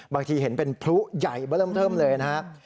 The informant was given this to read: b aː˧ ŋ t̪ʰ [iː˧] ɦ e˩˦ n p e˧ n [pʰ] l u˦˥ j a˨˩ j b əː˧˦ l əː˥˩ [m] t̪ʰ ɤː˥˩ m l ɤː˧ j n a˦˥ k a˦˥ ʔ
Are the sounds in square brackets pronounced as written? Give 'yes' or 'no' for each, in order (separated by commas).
yes, yes, yes